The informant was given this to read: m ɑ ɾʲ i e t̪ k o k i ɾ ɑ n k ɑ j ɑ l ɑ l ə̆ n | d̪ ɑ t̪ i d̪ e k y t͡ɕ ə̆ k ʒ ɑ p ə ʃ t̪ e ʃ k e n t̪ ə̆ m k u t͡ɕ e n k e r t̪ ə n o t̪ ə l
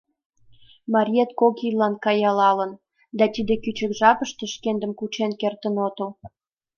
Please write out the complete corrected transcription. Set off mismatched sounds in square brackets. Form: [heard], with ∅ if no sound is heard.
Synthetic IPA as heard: m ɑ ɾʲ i e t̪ k o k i [l] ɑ n k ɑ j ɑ l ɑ l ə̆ n | d̪ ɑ t̪ i d̪ e k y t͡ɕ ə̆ k ʒ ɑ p ə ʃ t̪ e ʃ k e n [d̪] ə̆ m k u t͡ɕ e n k e r t̪ ə n o t̪ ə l